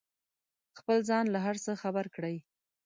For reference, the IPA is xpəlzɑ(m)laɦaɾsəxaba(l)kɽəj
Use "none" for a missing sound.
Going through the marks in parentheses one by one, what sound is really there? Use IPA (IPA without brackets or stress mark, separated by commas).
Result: n, ɾ